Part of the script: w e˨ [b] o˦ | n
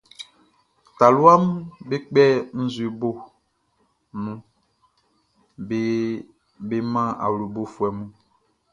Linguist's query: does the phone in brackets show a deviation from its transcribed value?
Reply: no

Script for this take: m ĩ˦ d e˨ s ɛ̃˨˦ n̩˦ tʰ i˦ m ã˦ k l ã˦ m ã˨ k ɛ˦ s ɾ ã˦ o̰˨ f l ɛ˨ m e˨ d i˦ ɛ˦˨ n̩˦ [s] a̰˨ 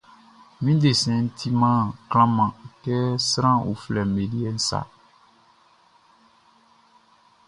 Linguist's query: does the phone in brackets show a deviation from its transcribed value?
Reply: no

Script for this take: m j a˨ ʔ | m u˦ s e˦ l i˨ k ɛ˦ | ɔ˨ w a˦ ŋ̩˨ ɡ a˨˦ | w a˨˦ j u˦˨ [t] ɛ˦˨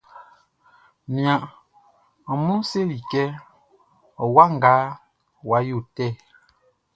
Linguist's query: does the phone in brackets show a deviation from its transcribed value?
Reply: no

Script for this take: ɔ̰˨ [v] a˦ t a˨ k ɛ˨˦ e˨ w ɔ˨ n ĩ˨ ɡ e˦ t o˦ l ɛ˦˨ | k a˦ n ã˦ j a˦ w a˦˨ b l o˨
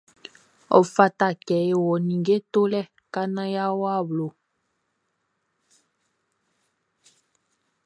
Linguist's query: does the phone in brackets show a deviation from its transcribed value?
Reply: yes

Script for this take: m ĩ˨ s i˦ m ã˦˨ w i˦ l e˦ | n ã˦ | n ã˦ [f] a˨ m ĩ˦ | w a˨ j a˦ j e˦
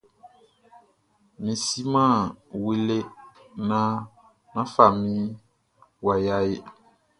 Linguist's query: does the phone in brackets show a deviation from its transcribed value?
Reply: no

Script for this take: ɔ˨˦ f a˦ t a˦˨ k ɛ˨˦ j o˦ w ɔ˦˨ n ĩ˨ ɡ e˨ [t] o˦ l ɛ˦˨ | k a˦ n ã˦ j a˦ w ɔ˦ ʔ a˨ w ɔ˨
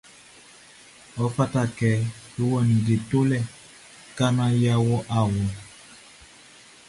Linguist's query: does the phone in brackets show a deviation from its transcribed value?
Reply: no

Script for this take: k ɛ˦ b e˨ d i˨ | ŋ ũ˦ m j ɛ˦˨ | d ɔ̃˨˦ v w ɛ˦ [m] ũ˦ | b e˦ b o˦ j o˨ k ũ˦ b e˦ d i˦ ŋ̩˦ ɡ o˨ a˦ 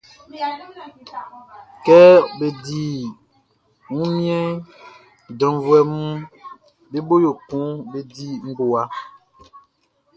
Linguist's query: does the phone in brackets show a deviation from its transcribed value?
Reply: no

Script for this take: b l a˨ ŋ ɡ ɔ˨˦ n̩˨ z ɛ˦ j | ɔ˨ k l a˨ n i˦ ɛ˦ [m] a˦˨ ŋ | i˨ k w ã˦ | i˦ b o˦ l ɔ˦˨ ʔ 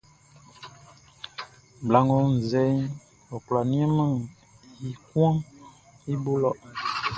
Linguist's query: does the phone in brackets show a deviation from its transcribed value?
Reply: no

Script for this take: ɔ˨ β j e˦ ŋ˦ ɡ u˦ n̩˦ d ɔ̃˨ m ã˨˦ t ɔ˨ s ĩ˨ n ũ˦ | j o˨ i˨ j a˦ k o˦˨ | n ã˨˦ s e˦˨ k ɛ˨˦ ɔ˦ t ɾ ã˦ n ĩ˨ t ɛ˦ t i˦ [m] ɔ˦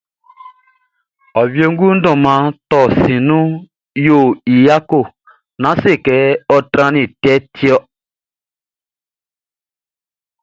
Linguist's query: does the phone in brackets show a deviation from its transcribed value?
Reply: yes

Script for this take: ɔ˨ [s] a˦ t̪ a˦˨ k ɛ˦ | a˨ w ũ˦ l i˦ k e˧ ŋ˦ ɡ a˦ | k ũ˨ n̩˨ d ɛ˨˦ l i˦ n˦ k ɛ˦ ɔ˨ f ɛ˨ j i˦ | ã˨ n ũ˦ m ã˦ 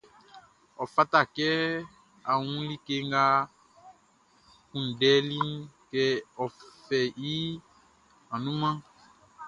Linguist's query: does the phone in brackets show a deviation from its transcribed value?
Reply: yes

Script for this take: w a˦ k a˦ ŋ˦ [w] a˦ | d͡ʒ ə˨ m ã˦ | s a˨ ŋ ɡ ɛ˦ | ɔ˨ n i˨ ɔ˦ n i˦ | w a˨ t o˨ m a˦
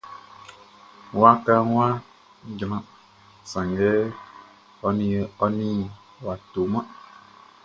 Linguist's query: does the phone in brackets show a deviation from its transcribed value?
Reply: no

